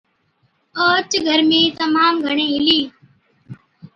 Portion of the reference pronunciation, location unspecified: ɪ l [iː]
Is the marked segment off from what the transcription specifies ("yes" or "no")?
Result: no